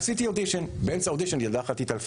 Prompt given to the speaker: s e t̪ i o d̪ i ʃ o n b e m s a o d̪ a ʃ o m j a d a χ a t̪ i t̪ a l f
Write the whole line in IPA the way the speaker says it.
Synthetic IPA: s i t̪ i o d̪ i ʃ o n b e n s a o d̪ i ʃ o n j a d a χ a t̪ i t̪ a l f